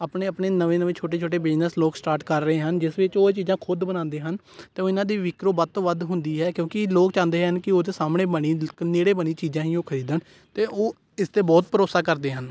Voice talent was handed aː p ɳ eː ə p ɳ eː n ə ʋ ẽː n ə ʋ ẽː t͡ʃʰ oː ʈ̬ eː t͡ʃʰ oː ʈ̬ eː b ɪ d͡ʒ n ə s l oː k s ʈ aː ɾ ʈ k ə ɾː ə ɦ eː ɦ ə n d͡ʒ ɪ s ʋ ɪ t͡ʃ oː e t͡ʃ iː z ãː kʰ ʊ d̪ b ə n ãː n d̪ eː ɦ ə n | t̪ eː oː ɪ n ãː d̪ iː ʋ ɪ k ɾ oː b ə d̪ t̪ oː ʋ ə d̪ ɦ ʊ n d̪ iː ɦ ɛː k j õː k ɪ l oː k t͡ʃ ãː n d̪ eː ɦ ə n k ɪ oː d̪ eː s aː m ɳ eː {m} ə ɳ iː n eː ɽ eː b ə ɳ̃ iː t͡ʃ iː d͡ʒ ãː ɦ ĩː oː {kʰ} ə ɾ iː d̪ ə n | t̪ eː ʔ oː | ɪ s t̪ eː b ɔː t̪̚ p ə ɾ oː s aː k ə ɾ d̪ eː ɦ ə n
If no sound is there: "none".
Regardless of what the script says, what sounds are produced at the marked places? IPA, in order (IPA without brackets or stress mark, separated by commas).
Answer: b, kʰ